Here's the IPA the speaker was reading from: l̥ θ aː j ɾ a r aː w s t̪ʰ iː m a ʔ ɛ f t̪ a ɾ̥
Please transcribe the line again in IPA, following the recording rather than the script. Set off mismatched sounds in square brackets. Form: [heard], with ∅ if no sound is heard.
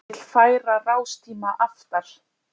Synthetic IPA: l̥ [f] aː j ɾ a r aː w s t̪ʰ iː m a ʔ [a] f t̪ a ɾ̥